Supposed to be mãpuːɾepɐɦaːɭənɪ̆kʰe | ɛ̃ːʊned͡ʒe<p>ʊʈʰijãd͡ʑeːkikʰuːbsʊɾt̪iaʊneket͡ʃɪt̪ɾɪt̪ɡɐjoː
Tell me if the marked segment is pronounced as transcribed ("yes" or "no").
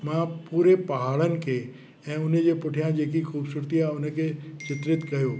yes